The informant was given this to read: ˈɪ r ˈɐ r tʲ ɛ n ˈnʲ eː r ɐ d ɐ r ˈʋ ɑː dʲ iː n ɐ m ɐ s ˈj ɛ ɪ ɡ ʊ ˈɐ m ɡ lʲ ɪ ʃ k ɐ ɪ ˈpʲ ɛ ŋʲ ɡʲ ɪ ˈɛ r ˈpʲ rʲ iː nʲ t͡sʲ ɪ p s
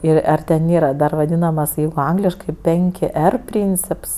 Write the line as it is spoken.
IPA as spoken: ˈɪ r ˈɐ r tʲ ɛ n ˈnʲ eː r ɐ d ɐ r ˈʋ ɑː dʲ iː n ɐ m ɐ s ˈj ɛ ɪ ɡ ʊ ˈɐ ŋ ɡ lʲ ɪ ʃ k ɐ ɪ ˈpʲ ɛ ŋʲ kʲ ɪ ˈɛ r ˈpʲ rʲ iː nʲ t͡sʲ ɪ p s